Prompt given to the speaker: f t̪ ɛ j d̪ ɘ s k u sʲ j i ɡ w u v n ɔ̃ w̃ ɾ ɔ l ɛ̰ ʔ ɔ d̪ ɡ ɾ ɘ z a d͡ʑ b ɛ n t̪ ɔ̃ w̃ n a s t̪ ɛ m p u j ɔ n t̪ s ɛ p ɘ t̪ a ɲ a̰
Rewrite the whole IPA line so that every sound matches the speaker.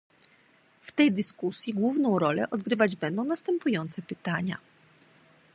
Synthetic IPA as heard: f t̪ ɛ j d̪ ɘ s k u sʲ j i ɡ w u v n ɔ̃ w̃ ɾ ɔ l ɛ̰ ʔ ɔ d̪ ɡ ɾ ɘ v a d͡ʑ b ɛ n d̪ ɔ̃ w̃ n a s t̪ ɛ m p u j ɔ n t̪ s ɛ p ɘ t̪ a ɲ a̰

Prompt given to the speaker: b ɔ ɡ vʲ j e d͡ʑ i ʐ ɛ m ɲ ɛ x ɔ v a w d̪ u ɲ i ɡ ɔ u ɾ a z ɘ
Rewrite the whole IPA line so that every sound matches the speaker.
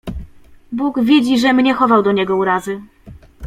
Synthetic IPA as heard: b u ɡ vʲ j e d͡ʑ i ʐ ɛ m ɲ ɛ x ɔ v a w d̪ ɔ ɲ ɛ ɡ ɔ u ɾ a z ɘ

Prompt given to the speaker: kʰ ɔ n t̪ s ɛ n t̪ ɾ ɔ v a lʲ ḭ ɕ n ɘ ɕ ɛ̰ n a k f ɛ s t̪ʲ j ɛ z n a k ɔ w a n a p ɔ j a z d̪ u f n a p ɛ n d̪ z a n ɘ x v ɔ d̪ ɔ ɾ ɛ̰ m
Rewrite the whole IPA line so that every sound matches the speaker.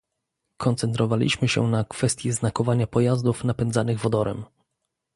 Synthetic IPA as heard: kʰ ɔ n t̪ s ɛ n t̪ ɾ ɔ v a lʲ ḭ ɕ m ɘ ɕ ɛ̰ n a k f ɛ s t̪ʲ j ɛ z n a k ɔ v a ɲ a p ɔ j a z d̪ u f n a p ɛ n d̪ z a n ɘ ɣ v ɔ d̪ ɔ ɾ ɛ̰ m

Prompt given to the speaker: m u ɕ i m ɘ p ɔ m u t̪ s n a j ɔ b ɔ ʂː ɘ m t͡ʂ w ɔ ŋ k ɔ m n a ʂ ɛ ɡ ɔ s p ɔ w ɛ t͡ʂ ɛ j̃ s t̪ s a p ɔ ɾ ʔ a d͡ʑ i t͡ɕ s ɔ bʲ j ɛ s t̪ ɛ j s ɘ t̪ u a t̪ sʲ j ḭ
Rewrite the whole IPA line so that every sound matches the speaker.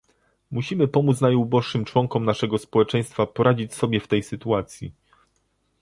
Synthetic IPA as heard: m u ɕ i m ɘ p ɔ m u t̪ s n a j u b ɔ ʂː ɘ m t͡ʂ w ɔ ŋ k ɔ m n a ʂ ɛ ɡ ɔ s p ɔ w ɛ t͡ʂ ɛ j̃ s t̪ f a p ɔ ɾ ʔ a d͡ʑ i t͡ɕ s ɔ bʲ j ɛ f t̪ ɛ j s ɘ t̪ u a t̪ sʲ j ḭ

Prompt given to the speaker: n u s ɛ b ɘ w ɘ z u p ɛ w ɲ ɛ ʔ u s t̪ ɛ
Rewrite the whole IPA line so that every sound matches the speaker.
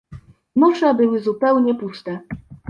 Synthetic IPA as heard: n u ʂ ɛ b ɘ w ɘ z u p ɛ w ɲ ɛ p u s t̪ ɛ

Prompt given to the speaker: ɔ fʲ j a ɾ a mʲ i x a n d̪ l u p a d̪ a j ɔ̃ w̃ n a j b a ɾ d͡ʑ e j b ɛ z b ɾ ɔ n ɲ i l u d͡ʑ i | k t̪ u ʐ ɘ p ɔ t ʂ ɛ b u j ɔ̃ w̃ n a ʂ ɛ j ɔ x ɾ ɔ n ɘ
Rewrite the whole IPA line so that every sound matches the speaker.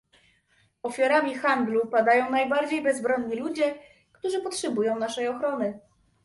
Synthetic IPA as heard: ɔ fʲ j a ɾ a mʲ i x a n d̪ l u p a d̪ a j ɔ̃ w̃ n a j b a ɾ d͡ʑ e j b ɛ z b ɾ ɔ n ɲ i l u d͡ʑ ɛ | k t̪ u ʐ ɘ p ɔ t ʂ ɛ b u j ɔ̃ w̃ n a ʂ ɛ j ɔ x ɾ ɔ n ɘ

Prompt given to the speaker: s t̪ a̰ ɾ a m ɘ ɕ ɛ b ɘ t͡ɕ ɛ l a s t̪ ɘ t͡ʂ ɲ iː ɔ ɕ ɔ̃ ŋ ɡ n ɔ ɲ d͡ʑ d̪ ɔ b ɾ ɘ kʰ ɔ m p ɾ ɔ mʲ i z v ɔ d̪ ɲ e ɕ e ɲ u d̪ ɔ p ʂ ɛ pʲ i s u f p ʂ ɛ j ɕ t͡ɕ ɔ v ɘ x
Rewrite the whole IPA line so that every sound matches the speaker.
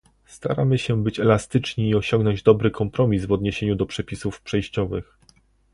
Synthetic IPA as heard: s t̪ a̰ ɾ a m ɘ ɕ ɛ b ɘ t͡ɕ ɛ l a s t̪ ɘ t͡ʂ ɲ iː ɔ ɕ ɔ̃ ŋ ɡ n ɔ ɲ d͡ʑ d̪ ɔ b ɾ ɘ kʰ ɔ m p ɾ ɔ mʲ i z v ɔ d̪ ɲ e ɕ e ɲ u d̪ ɔ p ʂ ɛ pʲ i s u f p ʂ ɛ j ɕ t͡ɕ ɔ v ɘ x

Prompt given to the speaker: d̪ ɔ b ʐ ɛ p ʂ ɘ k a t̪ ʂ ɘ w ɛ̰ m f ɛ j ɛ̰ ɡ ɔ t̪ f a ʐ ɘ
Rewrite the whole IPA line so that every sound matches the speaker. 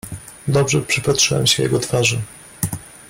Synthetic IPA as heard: d̪ ɔ b ʐ ɛ p ʂ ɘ p a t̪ ʂ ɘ w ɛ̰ m ɕ ɛ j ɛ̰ ɡ ɔ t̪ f a ʐ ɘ

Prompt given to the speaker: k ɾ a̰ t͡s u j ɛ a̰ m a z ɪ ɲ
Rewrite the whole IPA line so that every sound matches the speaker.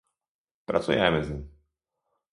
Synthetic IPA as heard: p ɾ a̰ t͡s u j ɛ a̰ m ɛ z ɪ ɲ

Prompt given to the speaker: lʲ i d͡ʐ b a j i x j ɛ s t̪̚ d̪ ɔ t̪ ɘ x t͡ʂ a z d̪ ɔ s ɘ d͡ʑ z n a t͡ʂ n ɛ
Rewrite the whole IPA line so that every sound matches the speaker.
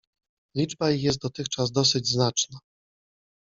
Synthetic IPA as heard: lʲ i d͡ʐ b a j i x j ɛ s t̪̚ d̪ ɔ t̪ ɘ x t͡ʂ a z d̪ ɔ s ɘ d͡ʑ z n a t͡ʂ n a

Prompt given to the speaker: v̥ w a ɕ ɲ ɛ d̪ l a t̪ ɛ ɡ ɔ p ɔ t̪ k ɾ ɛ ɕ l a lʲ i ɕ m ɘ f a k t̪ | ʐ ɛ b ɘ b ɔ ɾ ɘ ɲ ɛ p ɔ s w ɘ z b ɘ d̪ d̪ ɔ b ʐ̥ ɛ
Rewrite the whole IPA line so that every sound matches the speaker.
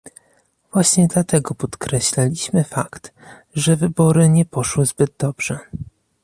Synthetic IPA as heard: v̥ w a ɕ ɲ ɛ d̪ l a t̪ ɛ ɡ ɔ p ɔ t̪ k ɾ ɛ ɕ l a lʲ i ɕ m ɘ f a k t̪ | ʐ ɛ v ɘ b ɔ ɾ ɘ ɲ ɛ p ɔ ʂ w ɘ z b ɘ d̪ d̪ ɔ b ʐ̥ ɛ

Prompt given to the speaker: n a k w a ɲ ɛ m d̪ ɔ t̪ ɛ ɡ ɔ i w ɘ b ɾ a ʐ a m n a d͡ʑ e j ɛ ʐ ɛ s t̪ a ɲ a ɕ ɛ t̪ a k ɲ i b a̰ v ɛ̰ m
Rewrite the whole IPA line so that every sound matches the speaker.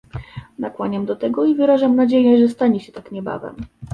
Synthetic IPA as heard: n a k w a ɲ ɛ m d̪ ɔ t̪ ɛ ɡ ɔ i v ɘ ɾ a ʐ a m n a d͡ʑ e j ɛ ʐ ɛ s t̪ a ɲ ɛ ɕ ɛ t̪ a k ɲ ɛ b a̰ v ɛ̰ m

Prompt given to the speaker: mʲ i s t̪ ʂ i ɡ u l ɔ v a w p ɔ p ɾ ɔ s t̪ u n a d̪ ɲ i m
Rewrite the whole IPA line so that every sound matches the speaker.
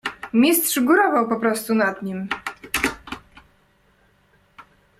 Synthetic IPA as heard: mʲ i s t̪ ʂ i ɡ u ɾ ɔ v a w p ɔ p ɾ ɔ s t̪ u n a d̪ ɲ i m

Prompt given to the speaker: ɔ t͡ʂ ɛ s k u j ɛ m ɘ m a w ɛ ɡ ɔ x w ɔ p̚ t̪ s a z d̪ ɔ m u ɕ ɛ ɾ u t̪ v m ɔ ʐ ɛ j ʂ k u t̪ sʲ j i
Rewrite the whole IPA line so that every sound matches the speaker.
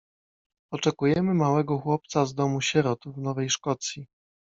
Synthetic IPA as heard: ɔ t͡ʂ ɛ k u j ɛ m ɘ m a w ɛ ɡ ɔ x w ɔ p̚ t̪ s a z d̪ ɔ m u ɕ ɛ ɾ ɔ t̪ v n ɔ v ɛ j ʂ k ɔ t̪ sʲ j i

